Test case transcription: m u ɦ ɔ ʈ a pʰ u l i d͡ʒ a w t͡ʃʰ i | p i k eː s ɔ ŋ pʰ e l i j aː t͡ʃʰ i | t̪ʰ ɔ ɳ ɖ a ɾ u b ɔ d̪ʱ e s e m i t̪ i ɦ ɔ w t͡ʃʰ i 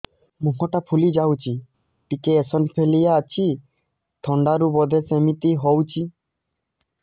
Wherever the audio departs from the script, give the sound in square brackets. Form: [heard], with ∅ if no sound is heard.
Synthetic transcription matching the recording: m u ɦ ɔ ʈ a pʰ u l i d͡ʒ a w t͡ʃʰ i | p i k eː s ɔ [n] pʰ e l i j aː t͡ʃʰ i | t̪ʰ ɔ ɳ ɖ a ɾ u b ɔ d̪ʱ e s e m i t̪ i ɦ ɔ w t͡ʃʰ i